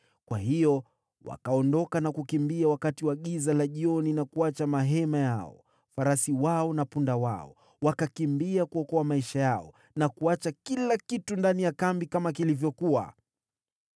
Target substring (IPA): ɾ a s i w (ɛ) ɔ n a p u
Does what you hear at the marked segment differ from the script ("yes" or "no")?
yes